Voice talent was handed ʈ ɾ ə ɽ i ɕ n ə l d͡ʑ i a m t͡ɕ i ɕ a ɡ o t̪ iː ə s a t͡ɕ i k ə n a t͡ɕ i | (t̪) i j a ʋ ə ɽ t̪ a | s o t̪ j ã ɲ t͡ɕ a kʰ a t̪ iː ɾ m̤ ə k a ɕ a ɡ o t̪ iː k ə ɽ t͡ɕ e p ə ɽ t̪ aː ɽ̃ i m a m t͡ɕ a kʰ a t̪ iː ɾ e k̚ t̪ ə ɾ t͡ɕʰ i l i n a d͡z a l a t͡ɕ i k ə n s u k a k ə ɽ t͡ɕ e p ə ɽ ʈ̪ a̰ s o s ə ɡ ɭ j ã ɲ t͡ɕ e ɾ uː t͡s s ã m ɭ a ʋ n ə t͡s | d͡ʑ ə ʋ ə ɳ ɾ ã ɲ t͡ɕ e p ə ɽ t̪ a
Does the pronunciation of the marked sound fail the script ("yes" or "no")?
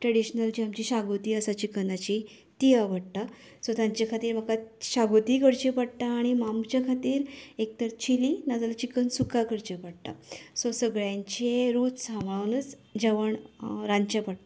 no